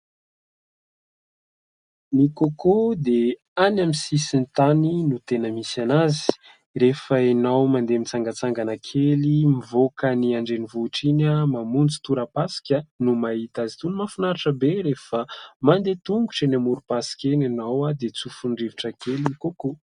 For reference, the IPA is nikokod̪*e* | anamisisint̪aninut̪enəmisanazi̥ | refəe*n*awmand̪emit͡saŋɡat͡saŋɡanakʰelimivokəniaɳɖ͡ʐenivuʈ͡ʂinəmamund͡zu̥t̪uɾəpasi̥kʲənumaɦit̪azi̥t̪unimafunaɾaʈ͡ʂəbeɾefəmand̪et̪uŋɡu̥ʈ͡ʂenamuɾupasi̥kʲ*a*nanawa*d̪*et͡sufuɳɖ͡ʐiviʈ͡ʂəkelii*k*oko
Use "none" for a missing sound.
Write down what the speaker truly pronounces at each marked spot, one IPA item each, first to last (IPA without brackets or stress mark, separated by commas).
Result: e, n, e, d̪, k